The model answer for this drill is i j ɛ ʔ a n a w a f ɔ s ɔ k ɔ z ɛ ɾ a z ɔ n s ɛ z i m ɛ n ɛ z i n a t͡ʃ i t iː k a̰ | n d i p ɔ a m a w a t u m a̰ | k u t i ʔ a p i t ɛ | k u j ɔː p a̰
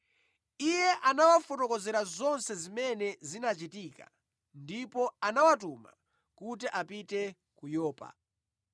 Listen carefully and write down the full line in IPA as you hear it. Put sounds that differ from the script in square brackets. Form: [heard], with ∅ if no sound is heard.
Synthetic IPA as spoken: i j ɛ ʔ a n a w a f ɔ [t] ɔ k ɔ z ɛ ɾ a z ɔ n s ɛ z i m ɛ n ɛ z i n a t͡ʃ i t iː k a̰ | n d i p ɔ a [n] a w a t u m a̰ | k u t i ʔ a p i t ɛ | k u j ɔː p a̰